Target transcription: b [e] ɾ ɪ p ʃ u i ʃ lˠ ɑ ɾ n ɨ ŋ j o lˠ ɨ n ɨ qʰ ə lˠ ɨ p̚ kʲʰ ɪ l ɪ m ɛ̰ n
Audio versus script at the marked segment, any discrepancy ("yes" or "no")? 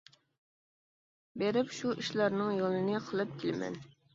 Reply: no